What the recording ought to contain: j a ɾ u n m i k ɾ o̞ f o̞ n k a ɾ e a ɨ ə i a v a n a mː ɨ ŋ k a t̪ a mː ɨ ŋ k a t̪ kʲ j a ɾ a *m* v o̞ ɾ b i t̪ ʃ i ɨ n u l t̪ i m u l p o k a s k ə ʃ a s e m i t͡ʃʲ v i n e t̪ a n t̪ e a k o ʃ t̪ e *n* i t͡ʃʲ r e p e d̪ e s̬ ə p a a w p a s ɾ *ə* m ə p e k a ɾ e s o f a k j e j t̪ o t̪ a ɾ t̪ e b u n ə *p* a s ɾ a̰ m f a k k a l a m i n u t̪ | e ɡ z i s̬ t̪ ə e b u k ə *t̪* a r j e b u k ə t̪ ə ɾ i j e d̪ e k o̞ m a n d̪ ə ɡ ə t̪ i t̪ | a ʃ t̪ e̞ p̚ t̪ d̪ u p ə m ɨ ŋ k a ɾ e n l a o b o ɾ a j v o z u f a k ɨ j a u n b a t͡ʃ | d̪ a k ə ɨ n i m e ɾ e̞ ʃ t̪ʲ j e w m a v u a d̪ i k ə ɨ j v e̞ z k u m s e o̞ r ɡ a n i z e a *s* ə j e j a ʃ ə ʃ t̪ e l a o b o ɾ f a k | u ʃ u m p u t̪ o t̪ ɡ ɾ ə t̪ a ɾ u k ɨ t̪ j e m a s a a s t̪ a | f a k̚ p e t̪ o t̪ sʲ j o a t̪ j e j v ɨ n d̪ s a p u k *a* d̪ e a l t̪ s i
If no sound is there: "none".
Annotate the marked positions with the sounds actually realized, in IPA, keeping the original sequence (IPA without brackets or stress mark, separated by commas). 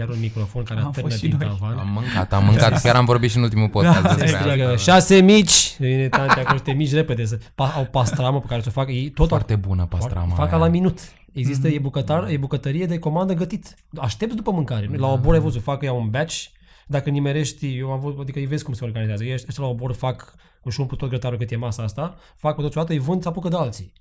m, m, a, p, t̪, z, ə